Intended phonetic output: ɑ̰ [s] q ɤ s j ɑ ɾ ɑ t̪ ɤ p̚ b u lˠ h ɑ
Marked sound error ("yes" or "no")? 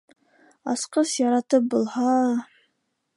no